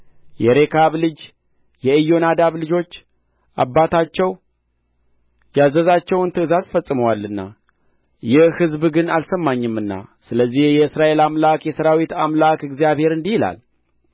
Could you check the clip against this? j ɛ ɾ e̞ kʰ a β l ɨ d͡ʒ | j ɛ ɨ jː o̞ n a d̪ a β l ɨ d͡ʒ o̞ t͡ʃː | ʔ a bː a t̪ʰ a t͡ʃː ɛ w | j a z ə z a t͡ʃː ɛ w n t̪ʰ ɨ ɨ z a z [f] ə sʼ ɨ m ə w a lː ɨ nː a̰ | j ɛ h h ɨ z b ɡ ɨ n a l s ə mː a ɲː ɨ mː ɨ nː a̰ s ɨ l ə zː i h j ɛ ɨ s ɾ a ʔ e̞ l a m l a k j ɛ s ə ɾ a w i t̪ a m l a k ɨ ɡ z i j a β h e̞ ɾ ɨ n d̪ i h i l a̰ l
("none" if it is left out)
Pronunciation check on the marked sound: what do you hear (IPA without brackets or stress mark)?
f